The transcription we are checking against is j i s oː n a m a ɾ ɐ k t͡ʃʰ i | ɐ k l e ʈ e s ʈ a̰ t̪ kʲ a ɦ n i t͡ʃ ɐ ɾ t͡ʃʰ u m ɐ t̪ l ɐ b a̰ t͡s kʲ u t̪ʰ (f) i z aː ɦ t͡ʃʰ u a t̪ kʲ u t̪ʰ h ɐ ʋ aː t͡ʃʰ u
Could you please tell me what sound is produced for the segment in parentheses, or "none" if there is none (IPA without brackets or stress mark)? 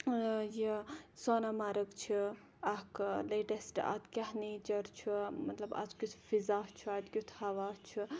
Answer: f